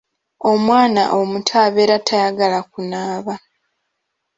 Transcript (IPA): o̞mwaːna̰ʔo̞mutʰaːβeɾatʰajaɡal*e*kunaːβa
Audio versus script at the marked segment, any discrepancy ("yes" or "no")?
yes